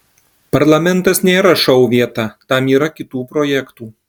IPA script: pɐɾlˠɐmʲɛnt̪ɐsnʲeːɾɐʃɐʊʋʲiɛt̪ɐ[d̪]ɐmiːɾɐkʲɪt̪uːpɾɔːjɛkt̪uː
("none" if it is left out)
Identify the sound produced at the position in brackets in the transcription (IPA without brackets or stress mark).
t̪